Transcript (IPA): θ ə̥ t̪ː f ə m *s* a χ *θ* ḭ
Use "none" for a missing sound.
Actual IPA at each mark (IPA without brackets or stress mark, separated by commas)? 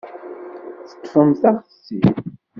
θ, s